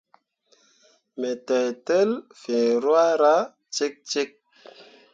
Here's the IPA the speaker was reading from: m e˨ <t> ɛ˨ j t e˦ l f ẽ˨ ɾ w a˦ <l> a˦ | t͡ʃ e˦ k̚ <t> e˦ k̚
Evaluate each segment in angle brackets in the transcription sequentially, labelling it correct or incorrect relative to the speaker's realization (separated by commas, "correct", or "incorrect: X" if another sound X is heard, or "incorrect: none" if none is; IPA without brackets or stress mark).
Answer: correct, incorrect: ɾ, incorrect: t͡ʃ